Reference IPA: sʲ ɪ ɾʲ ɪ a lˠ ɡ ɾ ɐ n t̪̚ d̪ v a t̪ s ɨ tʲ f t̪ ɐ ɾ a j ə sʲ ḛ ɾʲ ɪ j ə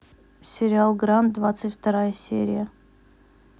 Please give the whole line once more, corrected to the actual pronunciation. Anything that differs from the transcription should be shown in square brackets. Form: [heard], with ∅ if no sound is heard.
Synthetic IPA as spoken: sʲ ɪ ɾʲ ɪ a lˠ ɡ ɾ [a] n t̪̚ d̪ v a t̪ s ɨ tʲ f t̪ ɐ ɾ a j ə sʲ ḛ ɾʲ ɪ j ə